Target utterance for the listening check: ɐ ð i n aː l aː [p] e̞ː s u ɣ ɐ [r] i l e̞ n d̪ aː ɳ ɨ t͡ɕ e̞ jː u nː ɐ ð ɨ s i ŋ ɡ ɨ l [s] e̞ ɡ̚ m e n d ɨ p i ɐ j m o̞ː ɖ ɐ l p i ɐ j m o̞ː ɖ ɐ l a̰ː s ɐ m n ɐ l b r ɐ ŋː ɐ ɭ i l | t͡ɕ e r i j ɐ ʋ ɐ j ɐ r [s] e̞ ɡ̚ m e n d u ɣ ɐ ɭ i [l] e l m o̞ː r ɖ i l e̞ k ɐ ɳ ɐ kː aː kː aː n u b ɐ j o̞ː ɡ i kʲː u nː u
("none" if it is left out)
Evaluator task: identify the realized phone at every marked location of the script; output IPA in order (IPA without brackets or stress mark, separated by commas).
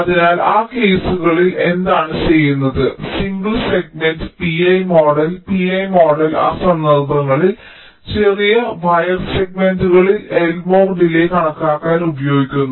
k, ɭ, s, s, l